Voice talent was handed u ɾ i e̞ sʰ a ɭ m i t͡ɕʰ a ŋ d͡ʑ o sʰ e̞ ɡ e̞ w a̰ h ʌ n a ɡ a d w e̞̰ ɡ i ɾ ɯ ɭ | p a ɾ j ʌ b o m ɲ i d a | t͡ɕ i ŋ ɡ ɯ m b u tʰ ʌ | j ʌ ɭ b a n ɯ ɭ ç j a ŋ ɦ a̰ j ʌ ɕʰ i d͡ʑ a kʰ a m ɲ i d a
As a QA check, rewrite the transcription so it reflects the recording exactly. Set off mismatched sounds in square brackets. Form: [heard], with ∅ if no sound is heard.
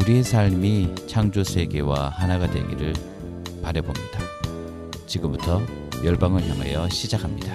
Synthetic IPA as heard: u ɾ i e̞ sʰ a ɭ m i t͡ɕʰ a ŋ d͡ʑ o sʰ e̞ ɡ e̞ w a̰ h [a] n a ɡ a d w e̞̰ ɡ i ɾ ɯ ɭ | p a ɾ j ʌ b o m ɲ i d a | t͡ɕ i [∅] ɡ ɯ m b u tʰ ʌ | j ʌ ɭ b a [ŋ] ɯ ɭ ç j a ŋ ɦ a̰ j ʌ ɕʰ i d͡ʑ a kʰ a m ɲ i d a